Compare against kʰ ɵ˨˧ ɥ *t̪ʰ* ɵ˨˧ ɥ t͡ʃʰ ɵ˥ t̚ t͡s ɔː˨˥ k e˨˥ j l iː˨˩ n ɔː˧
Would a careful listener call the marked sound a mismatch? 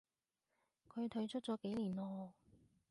no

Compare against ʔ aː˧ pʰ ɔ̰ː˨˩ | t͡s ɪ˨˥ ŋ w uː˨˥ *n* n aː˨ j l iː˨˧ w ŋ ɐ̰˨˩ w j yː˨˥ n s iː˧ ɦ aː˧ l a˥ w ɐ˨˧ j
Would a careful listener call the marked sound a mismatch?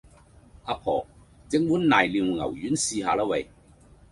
no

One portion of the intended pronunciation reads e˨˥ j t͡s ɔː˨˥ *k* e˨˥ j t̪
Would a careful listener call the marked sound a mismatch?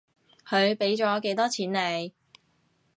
no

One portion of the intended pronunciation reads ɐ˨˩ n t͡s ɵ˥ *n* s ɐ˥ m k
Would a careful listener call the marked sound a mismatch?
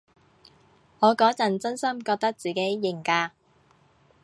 no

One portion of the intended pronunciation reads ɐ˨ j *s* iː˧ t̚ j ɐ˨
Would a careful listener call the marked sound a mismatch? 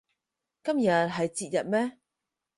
yes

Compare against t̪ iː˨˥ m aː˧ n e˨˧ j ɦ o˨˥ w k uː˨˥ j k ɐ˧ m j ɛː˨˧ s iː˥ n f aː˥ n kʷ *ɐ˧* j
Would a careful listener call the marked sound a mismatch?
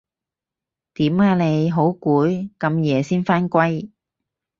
yes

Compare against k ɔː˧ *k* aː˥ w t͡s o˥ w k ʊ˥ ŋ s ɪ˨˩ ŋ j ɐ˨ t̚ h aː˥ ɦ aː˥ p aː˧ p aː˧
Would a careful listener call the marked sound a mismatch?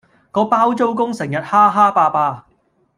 yes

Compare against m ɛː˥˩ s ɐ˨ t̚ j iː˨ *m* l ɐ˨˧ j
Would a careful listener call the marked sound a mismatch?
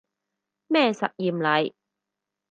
no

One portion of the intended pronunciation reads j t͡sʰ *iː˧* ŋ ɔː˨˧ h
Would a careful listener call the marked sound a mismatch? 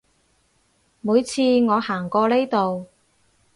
no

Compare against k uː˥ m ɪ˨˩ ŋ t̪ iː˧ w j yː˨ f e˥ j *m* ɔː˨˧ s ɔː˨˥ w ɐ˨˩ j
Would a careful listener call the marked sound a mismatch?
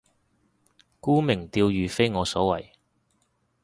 yes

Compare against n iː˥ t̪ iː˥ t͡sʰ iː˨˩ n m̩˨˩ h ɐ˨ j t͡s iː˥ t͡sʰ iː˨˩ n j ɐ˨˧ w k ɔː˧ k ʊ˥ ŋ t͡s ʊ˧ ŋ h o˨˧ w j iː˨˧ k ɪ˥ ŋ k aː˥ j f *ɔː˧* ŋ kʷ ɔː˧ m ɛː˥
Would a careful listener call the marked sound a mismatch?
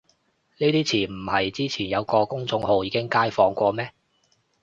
no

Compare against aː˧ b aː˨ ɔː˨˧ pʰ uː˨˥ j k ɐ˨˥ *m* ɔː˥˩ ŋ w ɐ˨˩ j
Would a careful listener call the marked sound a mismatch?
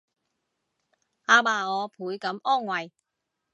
no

